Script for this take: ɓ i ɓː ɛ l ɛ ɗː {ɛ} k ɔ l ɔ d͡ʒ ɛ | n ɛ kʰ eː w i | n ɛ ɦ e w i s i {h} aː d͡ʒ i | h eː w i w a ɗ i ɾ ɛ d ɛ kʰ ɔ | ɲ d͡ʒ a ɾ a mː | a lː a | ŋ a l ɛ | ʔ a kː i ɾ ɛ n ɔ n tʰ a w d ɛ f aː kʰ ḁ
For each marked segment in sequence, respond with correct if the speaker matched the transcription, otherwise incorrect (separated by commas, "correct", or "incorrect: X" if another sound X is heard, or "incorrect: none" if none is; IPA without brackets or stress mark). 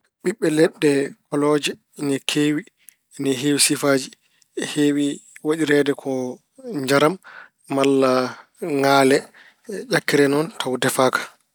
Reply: correct, incorrect: f